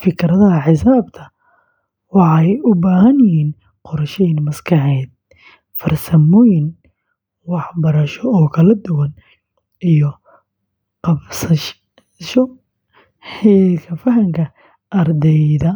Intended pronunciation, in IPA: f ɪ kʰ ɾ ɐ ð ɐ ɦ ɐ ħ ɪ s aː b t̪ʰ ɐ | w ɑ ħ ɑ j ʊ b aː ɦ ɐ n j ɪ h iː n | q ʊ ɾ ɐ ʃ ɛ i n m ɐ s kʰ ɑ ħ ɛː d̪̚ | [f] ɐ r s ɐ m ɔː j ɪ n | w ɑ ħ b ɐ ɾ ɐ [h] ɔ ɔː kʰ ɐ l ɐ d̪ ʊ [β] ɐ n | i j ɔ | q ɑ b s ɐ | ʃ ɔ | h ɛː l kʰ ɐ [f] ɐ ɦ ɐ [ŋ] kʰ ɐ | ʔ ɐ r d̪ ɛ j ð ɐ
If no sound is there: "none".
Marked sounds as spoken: f, ʃ, w, f, ŋ

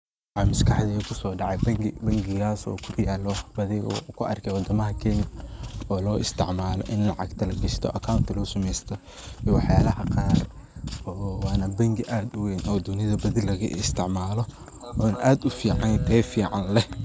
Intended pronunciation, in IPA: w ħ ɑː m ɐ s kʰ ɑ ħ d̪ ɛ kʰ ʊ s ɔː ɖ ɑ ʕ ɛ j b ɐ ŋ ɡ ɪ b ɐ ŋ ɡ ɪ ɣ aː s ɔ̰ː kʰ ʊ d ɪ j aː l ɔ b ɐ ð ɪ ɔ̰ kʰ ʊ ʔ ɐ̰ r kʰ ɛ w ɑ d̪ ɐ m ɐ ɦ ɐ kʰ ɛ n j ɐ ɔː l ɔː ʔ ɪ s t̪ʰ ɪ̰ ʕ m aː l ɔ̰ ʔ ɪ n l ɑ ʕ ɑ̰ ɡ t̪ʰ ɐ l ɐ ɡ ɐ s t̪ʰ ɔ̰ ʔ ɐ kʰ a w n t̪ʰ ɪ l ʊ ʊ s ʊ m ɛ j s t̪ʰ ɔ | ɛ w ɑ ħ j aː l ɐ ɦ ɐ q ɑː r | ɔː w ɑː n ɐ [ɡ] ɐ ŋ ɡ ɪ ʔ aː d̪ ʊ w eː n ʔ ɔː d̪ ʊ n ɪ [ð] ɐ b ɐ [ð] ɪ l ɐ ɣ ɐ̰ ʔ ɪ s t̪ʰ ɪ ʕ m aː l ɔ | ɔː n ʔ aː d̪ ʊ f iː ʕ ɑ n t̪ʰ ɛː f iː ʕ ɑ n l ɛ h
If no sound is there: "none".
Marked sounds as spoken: b, ð, ð

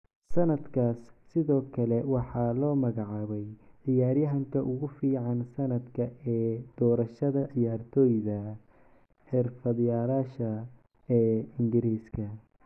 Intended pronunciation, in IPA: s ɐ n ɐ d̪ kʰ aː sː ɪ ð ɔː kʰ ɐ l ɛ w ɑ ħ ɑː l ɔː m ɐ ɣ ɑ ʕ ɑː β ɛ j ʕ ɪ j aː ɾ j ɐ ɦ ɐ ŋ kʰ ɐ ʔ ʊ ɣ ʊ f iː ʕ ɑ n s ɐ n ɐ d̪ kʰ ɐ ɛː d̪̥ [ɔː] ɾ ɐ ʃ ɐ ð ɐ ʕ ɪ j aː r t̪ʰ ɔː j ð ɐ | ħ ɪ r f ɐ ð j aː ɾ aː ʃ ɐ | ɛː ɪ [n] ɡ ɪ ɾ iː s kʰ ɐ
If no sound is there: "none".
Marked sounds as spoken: ɔː, ŋ

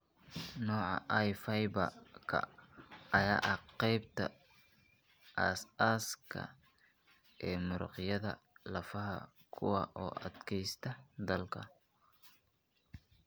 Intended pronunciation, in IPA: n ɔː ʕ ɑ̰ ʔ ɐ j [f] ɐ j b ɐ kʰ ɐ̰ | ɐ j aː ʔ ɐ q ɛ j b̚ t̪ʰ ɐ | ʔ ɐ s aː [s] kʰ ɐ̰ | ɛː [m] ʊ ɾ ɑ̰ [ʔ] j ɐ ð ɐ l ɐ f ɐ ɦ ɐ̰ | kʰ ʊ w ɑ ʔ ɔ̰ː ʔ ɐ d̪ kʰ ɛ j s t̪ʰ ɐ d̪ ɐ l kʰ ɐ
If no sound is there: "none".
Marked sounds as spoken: f, s, m, q

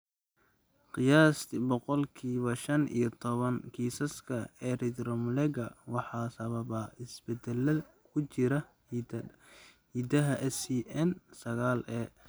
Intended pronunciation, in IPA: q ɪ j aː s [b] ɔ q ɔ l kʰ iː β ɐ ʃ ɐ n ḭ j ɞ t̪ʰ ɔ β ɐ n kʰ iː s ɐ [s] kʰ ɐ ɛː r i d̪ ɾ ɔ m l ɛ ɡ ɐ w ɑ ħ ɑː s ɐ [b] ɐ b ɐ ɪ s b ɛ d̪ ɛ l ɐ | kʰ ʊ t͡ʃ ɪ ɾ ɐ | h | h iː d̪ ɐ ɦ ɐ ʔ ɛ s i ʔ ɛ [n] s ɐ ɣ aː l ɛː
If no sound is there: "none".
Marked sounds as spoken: b, s, β, n

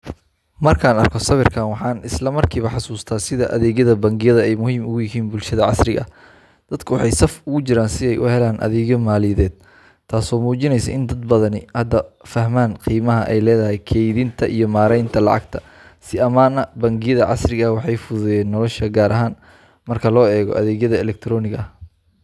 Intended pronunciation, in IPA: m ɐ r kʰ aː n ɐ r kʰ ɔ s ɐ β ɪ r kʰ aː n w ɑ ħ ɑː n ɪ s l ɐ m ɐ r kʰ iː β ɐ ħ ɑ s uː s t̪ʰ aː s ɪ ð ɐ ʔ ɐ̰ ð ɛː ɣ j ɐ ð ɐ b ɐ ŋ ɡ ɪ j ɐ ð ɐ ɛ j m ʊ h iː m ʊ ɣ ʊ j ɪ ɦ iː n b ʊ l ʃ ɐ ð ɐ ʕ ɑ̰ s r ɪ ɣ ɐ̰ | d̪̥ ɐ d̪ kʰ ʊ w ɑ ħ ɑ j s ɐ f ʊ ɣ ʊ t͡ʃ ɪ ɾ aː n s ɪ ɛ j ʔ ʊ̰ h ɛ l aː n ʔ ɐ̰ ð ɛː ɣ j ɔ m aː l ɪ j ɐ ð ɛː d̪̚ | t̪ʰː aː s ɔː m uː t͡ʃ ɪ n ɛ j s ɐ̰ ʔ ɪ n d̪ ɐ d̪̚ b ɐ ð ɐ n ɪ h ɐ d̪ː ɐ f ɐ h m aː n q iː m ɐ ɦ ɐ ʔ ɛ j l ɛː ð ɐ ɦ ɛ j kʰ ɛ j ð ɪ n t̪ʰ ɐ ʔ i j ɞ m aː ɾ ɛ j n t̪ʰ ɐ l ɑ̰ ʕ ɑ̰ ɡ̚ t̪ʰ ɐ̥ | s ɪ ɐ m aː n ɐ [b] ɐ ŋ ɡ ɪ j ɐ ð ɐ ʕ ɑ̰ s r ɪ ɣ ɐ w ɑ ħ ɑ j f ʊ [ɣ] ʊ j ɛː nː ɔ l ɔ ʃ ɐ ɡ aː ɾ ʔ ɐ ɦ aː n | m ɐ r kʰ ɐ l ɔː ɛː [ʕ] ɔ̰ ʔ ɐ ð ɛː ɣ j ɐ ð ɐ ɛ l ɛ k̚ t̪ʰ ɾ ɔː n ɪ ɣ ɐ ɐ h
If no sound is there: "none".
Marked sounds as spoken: b, ð, ɣ

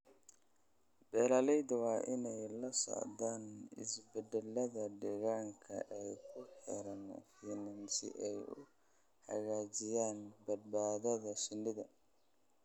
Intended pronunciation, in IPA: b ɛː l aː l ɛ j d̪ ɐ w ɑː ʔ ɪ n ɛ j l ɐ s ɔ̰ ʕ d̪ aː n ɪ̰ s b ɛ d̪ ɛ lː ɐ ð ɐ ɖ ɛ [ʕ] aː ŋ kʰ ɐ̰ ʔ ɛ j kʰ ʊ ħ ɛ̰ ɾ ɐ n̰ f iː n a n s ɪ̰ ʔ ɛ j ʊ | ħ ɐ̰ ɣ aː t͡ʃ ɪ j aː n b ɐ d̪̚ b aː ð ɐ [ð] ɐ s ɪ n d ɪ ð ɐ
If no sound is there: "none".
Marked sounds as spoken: ɣ, ð

